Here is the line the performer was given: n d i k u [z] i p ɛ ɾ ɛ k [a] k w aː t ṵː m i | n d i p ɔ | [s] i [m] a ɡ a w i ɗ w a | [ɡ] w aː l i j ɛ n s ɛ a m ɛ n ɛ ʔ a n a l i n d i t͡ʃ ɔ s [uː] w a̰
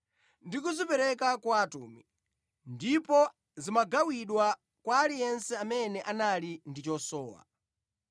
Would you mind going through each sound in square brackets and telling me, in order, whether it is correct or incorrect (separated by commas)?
correct, correct, incorrect, correct, incorrect, incorrect